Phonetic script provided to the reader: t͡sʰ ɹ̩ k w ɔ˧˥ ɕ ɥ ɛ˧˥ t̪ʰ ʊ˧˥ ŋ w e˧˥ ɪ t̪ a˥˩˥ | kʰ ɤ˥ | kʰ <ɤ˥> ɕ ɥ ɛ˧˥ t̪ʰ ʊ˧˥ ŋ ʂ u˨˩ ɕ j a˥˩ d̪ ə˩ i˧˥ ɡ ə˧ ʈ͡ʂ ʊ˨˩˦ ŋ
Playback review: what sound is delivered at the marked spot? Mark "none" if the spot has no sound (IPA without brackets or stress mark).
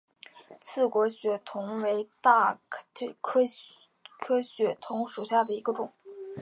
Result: ɤ˥